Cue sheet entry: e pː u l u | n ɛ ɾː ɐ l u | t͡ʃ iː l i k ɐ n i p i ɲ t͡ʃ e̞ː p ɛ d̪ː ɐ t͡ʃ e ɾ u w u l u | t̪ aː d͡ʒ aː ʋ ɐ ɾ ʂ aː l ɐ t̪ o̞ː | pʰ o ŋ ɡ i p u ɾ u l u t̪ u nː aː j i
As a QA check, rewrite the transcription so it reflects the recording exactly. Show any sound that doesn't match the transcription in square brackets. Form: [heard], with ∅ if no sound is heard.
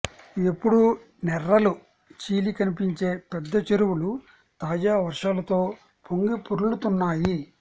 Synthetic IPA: e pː u [ɽ] u | n ɛ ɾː ɐ l u | t͡ʃ iː l i k ɐ n i p i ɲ t͡ʃ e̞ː p ɛ d̪ː ɐ t͡ʃ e ɾ u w u l u | t̪ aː d͡ʒ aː ʋ ɐ ɾ ʂ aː l ɐ t̪ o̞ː | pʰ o ŋ ɡ i p u ɾ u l u t̪ u nː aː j i